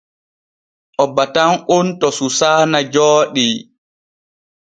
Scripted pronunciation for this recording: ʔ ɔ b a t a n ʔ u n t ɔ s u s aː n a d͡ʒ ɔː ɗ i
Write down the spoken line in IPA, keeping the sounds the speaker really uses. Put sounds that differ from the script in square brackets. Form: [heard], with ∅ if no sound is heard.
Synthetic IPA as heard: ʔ ɔ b a t a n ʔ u n t ɔ s u s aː n a d͡ʒ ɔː ɗ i